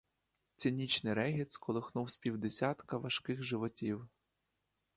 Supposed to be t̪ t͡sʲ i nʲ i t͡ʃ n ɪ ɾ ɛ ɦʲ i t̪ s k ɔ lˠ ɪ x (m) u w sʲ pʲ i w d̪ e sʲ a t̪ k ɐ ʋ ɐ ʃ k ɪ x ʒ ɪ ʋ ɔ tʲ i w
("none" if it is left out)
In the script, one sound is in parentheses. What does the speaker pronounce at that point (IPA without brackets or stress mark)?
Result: n